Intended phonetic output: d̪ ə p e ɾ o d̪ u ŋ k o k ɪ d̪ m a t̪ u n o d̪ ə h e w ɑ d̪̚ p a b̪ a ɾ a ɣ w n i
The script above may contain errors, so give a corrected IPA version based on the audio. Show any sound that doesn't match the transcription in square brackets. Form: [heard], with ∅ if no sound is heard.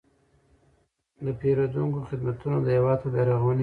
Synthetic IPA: d̪ ə p e ɾ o d̪ u ŋ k o [x] ɪ d̪ m a t̪ u n o d̪ ə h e w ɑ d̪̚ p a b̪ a ɾ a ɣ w n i